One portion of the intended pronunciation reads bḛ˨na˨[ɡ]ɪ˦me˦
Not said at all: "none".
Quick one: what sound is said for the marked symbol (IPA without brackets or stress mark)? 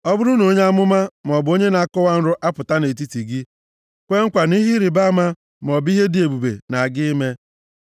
ɡ